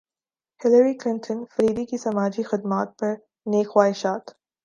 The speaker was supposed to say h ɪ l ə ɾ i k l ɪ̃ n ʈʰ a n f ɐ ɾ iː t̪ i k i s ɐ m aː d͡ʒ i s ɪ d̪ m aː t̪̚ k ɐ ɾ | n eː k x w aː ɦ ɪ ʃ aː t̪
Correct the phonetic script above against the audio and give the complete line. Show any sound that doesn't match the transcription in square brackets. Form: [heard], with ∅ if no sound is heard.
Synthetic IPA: h ɪ l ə ɾ i k l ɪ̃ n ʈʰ [ə] n f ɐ ɾ iː [d̪] i k i s ɐ m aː d͡ʒ i [x] ɪ d̪ m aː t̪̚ [p] ɐ ɾ | n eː k x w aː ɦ ɪ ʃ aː t̪